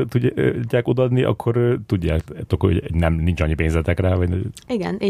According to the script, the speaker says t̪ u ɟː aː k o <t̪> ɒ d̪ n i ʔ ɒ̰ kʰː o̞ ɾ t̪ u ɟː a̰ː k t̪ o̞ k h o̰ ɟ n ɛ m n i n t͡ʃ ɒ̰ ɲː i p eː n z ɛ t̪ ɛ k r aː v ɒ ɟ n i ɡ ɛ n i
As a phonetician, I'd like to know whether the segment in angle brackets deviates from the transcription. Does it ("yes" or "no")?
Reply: yes